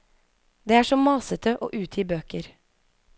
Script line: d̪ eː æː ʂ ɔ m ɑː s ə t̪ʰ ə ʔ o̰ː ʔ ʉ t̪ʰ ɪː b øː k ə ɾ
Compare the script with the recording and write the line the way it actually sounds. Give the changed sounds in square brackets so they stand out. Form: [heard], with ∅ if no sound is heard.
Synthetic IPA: d̪ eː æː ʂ ɔ m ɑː s ə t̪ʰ ə ʔ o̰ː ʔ [ʉː] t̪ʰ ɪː b øː k ə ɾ

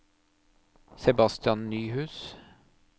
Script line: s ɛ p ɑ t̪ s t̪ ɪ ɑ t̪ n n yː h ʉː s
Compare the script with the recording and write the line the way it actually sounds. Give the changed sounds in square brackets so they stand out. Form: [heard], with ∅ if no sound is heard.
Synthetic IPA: s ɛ [b] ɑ [∅] s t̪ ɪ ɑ [∅] n n yː h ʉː s

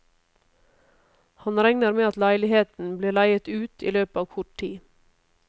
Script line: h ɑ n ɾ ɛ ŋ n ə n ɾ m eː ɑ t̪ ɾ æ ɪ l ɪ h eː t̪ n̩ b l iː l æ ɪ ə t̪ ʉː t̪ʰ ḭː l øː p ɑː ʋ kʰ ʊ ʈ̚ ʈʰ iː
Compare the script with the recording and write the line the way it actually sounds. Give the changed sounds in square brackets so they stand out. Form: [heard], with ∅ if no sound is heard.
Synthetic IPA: h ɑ n ɾ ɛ ŋ n ə [∅] ɾ m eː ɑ t̪ [l] æ ɪ l ɪ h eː t̪ n̩ b l iː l æ ɪ ə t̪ ʉː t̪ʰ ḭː l øː p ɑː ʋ kʰ ʊ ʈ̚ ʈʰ iː

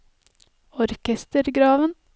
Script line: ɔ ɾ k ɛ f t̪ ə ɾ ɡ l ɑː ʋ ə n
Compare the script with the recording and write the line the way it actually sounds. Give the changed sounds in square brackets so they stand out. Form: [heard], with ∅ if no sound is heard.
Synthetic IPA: ɔ ɾ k ɛ [s] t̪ ə ɾ ɡ [ɾ] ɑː ʋ ə n

